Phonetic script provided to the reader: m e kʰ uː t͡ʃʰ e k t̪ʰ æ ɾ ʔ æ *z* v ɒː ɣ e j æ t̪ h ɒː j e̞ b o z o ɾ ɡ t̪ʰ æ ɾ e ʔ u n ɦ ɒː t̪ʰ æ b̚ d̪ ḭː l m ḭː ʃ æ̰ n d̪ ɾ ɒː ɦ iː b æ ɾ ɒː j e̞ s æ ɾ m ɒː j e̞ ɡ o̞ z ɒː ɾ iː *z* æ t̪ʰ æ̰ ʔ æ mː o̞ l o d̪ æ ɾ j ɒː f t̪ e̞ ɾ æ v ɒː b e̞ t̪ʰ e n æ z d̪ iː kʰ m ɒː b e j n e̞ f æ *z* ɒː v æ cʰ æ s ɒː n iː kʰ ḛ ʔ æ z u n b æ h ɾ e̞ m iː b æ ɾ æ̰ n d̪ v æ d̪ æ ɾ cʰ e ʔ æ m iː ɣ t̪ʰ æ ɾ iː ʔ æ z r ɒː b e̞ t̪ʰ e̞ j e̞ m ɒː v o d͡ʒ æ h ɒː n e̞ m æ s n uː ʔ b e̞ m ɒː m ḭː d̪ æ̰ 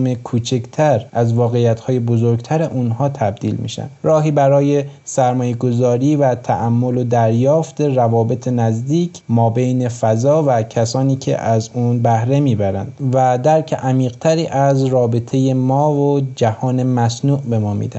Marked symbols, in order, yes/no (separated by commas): yes, no, yes